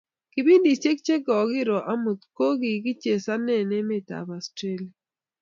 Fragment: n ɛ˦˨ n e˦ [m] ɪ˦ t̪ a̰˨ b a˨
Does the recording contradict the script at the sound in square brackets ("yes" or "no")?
no